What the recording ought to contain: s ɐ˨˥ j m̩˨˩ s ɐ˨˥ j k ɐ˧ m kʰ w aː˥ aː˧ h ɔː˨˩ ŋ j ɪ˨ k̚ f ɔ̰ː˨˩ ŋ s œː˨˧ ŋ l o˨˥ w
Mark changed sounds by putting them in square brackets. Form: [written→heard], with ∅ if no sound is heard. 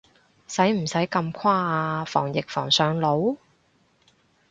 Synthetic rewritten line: s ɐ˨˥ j m̩˨˩ s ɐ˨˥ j k ɐ˧ m kʰ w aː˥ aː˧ [h→f] ɔː˨˩ ŋ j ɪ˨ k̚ f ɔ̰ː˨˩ ŋ s œː˨˧ ŋ l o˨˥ w